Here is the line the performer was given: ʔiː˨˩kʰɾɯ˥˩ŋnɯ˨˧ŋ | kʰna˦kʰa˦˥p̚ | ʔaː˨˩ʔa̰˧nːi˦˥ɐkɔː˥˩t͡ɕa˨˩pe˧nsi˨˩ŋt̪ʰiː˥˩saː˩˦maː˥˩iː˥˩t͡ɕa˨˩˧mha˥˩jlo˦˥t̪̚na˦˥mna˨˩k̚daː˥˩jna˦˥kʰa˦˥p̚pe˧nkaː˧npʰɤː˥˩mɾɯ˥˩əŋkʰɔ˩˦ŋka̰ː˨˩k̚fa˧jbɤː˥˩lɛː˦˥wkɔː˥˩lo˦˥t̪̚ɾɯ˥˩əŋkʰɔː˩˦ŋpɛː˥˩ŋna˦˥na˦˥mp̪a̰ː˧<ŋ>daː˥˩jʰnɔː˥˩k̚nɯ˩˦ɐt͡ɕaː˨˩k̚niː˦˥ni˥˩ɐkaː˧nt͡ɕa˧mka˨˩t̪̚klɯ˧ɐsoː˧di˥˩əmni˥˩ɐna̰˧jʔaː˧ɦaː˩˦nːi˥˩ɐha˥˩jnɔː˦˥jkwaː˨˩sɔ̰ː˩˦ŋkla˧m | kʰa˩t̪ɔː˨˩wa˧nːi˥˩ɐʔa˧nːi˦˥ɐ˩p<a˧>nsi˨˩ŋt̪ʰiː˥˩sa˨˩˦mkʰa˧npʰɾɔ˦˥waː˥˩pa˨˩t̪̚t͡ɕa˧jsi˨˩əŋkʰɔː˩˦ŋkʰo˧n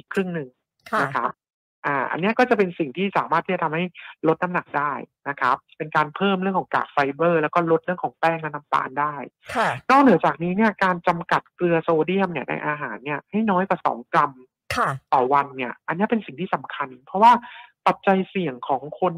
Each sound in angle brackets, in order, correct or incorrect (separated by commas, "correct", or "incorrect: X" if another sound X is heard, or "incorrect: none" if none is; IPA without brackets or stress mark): incorrect: n, incorrect: e˧